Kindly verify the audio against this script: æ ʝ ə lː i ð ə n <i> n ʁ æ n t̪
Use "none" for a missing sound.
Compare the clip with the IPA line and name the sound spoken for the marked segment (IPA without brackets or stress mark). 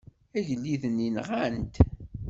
i